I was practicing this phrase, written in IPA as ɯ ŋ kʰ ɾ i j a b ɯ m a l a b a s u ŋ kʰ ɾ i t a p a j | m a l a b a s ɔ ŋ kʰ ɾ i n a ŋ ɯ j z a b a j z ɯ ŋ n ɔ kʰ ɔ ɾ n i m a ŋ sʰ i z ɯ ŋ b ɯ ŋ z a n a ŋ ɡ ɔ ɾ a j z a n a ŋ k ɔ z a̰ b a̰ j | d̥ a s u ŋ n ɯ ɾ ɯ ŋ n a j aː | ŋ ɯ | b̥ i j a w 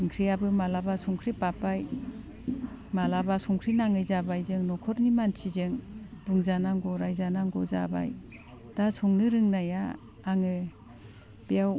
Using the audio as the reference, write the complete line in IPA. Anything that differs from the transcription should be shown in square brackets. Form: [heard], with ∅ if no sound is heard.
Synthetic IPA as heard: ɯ ŋ kʰ ɾ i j a b ɯ m a l a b a s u ŋ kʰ ɾ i [p] a p a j | m a l a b a s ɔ ŋ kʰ ɾ i n a ŋ ɯ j z a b a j z ɯ ŋ n ɔ kʰ ɔ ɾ n i m a [n] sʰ i z ɯ ŋ b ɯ ŋ z a n a ŋ ɡ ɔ ɾ a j z a n a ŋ [ɡ] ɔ z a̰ b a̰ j | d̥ a s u ŋ n ɯ ɾ ɯ ŋ n a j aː | ŋ ɯ | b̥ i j a w

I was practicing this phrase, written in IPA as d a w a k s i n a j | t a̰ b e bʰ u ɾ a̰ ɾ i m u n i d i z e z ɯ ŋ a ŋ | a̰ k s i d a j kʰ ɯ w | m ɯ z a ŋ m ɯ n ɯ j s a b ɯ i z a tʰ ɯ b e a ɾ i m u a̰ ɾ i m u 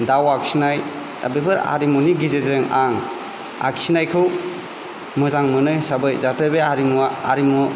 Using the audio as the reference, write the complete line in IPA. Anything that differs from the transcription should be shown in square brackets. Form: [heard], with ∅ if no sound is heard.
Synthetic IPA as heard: d a w a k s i n a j | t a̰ b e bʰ [ɯ] ɾ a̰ ɾ i m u n i [ɡ] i z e z ɯ ŋ a ŋ | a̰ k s i [n] a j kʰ ɯ w | m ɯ z a ŋ m ɯ n ɯ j s a b ɯ [j] z a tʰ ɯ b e a ɾ i m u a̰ ɾ i m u

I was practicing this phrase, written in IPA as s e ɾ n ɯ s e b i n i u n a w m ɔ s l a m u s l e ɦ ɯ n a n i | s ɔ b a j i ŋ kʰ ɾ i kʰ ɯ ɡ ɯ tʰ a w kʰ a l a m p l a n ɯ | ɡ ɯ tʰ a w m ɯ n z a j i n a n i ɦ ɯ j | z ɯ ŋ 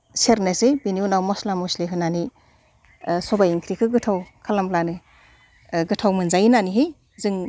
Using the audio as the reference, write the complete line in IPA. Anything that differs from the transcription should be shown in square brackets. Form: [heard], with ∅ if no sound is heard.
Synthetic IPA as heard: s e ɾ n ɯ s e b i n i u n a w m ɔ s l a m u s l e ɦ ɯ n a n i | s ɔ b a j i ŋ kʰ ɾ i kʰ ɯ ɡ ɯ tʰ a w kʰ a l a m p l a n ɯ | ɡ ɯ tʰ a w m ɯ n z a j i n a n i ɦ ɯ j | z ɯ ŋ

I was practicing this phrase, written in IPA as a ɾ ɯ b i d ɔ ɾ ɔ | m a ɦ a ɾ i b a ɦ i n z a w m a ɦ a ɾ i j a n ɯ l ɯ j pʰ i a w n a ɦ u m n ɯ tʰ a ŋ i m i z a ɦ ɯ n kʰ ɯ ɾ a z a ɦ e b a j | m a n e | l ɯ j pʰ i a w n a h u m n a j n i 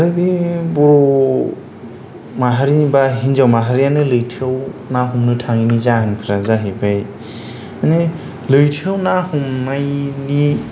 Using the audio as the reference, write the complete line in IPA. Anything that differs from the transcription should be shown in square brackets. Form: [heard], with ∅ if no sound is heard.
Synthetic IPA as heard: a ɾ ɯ b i [b] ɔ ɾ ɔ | m a ɦ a ɾ i b a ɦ i n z a w m a ɦ a ɾ i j a n ɯ l ɯ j [tʰ] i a w n a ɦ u m n ɯ tʰ a ŋ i [n] i z a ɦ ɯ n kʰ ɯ ɾ a z a ɦ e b a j | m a n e | l ɯ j [tʰ] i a w n a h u m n a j n i

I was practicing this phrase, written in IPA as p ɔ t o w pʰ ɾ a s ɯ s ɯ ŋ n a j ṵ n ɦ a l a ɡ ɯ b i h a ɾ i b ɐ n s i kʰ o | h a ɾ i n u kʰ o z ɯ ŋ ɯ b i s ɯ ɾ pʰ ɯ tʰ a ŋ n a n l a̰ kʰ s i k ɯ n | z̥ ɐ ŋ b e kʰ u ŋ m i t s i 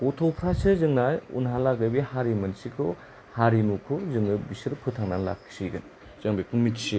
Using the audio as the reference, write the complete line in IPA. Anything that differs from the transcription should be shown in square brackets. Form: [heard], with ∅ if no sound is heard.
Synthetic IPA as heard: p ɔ [tʰ] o w pʰ ɾ a s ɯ [z] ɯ ŋ n a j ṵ n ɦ a l a ɡ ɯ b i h a ɾ i [m] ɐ n s i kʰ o | h a ɾ i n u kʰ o z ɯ ŋ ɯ b i s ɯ ɾ pʰ ɯ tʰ a ŋ n a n l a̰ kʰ s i [ɡ] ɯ n | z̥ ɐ ŋ b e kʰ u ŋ m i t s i

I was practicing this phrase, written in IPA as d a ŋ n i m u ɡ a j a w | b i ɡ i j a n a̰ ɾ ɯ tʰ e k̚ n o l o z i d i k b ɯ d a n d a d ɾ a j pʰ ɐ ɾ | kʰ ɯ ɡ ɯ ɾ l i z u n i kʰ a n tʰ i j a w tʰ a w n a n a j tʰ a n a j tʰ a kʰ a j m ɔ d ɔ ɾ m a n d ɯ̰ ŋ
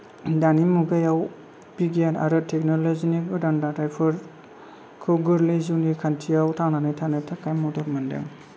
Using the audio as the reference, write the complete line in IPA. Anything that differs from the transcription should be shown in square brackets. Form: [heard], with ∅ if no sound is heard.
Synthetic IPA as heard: d a [∅] n i m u ɡ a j a w | b i ɡ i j a n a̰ ɾ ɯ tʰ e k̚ n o l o z i [n] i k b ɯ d a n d a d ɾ a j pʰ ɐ ɾ | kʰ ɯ ɡ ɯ ɾ l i z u n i kʰ a n tʰ i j a w tʰ a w n a n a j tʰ a n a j tʰ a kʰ a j m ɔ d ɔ ɾ m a n d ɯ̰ ŋ

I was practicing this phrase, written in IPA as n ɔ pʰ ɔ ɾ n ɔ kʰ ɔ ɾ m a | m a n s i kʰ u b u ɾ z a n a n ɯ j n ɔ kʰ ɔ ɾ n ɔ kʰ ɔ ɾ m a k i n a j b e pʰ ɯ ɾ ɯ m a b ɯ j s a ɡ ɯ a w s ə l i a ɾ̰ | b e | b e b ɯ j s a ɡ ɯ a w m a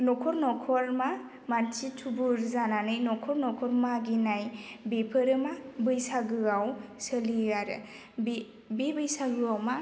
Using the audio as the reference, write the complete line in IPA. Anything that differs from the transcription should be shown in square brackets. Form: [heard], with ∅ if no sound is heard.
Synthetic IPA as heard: n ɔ [kʰ] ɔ ɾ n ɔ kʰ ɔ ɾ m a | m a n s i [tʰ] u b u ɾ z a n a n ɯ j n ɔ kʰ ɔ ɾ n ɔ kʰ ɔ ɾ m a [ɡ] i n a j b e pʰ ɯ ɾ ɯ m a b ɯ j s a ɡ ɯ a w s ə l i a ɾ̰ | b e | b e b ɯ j s a ɡ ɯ a w m a

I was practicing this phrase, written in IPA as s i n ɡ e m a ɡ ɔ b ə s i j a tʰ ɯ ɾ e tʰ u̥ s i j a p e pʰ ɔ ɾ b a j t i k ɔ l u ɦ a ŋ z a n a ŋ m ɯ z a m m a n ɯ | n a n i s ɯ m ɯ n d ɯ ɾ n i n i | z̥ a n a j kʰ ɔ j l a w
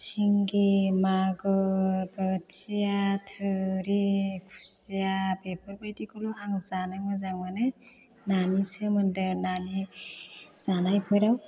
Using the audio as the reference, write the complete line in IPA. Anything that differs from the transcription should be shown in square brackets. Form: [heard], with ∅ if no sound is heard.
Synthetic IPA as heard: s i [ŋ] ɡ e m a ɡ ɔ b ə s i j a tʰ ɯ ɾ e [kʰ] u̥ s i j a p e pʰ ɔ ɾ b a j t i k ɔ l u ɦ a ŋ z a n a ŋ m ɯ z a [ŋ] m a n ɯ | n a n i s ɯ m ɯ n d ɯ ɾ n [a] n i | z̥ a n a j [pʰ] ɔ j [ɾ] a w

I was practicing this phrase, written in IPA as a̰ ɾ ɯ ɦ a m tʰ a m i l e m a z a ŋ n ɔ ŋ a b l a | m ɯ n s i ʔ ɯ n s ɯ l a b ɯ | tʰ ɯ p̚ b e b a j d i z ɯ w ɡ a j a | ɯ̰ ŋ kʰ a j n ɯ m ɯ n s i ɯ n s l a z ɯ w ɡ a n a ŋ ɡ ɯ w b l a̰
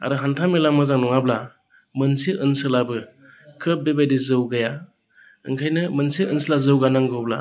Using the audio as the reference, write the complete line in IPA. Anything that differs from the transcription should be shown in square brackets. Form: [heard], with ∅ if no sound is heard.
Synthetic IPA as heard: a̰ ɾ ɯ ɦ a [n] tʰ a m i l [a] m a z a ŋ n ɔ ŋ a b l a | m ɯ n s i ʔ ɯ n s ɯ l a b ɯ | [kʰ] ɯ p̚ b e b a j d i z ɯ w ɡ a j a | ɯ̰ ŋ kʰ a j n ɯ m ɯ n s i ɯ n s l a z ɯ w ɡ a n a ŋ ɡ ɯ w b l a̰

